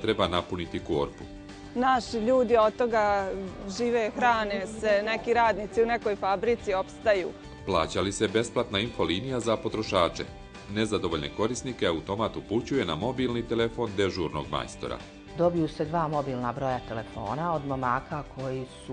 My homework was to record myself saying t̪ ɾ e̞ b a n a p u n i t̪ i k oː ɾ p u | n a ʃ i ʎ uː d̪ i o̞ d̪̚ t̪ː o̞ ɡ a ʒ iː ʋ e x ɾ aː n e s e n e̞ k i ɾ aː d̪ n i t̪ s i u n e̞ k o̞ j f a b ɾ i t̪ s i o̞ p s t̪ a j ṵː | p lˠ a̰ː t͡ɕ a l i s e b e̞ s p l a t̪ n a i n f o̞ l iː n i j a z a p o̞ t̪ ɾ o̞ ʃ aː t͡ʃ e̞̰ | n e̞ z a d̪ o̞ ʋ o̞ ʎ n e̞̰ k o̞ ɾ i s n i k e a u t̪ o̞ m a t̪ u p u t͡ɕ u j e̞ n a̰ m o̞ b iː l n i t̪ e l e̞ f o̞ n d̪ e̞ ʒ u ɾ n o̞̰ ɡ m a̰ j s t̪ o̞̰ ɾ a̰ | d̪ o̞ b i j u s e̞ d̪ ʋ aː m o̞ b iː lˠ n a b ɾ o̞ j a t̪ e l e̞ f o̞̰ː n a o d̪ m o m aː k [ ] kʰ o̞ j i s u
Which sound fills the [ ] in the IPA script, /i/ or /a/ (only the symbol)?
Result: a